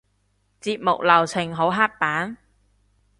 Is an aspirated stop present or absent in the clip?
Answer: present